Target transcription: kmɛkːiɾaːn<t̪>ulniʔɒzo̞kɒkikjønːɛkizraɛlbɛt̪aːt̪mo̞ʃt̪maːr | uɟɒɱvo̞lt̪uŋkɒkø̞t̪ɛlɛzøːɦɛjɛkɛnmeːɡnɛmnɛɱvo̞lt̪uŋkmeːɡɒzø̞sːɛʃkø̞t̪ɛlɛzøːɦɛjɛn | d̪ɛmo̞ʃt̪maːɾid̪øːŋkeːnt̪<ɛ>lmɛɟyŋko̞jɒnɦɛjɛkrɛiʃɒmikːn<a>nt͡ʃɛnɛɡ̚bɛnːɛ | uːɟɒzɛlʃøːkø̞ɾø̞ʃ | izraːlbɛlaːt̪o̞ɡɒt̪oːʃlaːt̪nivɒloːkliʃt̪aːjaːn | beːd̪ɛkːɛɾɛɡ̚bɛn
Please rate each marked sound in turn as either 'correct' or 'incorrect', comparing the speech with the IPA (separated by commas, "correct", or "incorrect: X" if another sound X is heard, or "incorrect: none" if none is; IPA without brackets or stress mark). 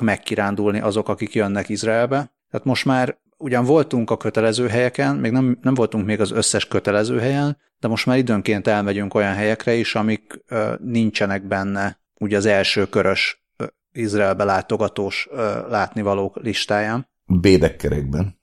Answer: incorrect: d̪, correct, incorrect: i